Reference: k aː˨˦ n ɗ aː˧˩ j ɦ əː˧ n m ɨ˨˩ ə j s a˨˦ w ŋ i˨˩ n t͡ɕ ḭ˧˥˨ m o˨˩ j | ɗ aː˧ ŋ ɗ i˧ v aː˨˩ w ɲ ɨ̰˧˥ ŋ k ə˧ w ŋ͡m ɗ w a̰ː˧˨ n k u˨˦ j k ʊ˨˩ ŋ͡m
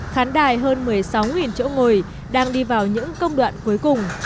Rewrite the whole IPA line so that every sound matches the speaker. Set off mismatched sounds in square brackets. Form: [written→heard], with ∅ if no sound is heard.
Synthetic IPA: [k→x] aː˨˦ n ɗ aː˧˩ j ɦ əː˧ n m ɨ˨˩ ə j s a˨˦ w ŋ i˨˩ n t͡ɕ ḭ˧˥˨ [m→ŋ] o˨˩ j | ɗ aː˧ ŋ ɗ i˧ v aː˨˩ w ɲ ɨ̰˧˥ ŋ k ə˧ w ŋ͡m ɗ w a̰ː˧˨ n k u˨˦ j k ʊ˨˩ ŋ͡m